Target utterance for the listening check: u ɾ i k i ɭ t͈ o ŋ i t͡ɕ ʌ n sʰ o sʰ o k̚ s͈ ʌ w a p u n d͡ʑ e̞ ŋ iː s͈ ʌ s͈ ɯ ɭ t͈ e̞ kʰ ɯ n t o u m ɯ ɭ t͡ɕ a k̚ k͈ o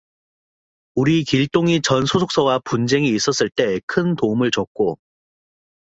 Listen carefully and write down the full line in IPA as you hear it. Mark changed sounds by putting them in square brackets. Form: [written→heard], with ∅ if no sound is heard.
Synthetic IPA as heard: u ɾ i k i ɭ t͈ o ŋ i t͡ɕ ʌ n sʰ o sʰ o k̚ s͈ ʌ w a p u n d͡ʑ e̞ ŋ iː s͈ ʌ s͈ ɯ ɭ t͈ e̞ kʰ ɯ n t o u m ɯ ɭ t͡ɕ [a→ʌ] k̚ k͈ o